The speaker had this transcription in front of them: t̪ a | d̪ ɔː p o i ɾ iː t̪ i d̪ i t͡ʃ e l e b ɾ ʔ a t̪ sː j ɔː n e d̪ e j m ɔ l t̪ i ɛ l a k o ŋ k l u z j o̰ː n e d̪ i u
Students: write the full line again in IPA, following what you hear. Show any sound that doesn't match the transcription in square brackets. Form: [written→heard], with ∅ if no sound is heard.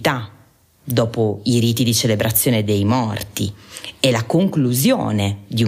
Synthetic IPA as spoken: t̪ a | d̪ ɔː p o i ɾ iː t̪ i d̪ i t͡ʃ e l e b ɾ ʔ a t̪ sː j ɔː n e d̪ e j m ɔ [l→r] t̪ i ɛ l a k o ŋ k l u z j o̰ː n e d̪ i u